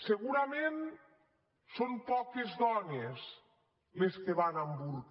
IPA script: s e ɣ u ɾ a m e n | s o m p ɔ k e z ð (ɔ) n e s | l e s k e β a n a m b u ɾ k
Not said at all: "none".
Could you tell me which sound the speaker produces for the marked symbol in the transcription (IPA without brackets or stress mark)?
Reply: ɔ